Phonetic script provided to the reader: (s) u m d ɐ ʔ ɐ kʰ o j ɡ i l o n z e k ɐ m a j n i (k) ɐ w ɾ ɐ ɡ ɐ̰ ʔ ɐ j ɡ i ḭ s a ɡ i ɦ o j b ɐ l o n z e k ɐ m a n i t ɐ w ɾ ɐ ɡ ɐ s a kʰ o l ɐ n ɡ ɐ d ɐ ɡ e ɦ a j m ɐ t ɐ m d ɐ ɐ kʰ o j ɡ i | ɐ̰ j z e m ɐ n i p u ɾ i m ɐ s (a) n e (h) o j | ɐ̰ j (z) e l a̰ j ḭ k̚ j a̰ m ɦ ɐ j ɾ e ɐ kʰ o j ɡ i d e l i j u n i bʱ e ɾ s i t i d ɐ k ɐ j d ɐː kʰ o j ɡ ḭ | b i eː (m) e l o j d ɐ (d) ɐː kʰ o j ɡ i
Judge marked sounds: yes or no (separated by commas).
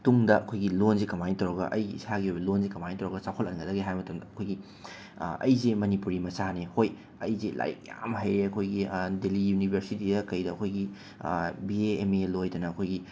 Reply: no, no, yes, yes, yes, yes, no